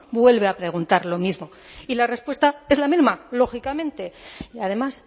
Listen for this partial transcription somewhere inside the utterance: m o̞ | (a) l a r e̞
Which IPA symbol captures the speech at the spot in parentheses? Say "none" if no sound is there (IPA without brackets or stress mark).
i